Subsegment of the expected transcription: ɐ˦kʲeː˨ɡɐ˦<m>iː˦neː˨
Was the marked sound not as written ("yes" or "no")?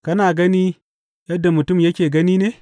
yes